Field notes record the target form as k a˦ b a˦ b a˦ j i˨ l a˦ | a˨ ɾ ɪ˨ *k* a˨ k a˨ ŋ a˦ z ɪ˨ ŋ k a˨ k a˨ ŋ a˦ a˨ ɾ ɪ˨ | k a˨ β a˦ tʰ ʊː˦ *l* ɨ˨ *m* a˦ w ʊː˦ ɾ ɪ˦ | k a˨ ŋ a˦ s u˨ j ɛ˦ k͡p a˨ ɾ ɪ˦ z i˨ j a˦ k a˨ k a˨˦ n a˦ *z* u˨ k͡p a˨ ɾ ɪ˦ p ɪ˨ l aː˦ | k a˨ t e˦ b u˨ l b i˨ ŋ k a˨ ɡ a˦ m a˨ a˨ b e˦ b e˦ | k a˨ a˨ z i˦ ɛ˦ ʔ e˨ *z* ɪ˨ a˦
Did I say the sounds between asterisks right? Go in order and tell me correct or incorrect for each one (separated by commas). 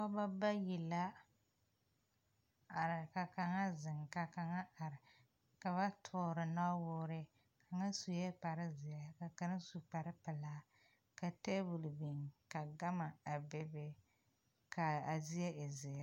correct, incorrect, incorrect, incorrect, correct